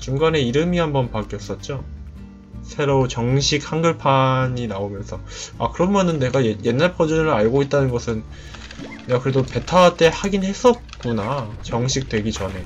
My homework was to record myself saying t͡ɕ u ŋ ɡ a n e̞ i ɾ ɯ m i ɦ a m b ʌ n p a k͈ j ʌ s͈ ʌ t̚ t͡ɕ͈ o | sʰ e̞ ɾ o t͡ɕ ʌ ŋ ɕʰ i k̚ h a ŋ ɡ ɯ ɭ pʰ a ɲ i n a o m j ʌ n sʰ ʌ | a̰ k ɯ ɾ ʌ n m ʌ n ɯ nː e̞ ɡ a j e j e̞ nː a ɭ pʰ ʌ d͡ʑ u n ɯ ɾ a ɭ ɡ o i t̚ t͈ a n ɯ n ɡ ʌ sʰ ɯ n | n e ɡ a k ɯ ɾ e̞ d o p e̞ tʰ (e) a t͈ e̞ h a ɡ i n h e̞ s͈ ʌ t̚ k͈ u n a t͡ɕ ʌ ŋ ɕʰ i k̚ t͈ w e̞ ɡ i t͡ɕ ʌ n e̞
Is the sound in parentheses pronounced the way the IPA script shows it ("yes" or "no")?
no